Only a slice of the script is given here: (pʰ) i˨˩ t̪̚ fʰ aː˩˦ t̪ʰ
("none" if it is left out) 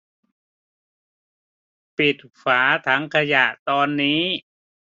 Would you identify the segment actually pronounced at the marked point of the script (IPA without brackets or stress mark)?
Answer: p